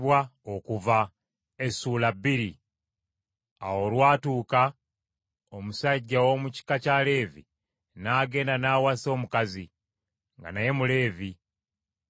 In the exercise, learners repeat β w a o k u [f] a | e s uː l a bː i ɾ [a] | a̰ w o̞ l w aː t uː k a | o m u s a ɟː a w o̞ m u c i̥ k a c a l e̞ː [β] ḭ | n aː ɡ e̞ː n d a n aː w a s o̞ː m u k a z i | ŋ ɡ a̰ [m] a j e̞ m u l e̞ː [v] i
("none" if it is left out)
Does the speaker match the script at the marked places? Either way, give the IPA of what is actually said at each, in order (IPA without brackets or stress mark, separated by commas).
v, i, v, n, v